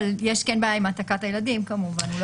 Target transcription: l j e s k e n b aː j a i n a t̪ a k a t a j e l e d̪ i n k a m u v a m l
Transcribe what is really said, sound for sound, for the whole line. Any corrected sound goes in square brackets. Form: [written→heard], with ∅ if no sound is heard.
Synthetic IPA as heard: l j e [s→ʃ] k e n b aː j a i [n→m] a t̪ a k a t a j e l [e→a] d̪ i [n→m] k a m u v a [m→n] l